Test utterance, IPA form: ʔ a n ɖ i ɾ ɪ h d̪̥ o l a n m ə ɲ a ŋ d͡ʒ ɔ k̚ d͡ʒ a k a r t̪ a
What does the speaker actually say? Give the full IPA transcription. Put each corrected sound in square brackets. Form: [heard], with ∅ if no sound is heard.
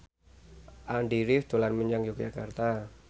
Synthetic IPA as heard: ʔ a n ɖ i ɾ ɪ [f] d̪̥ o l a n m ə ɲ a ŋ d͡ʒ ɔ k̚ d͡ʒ a k a r t̪ a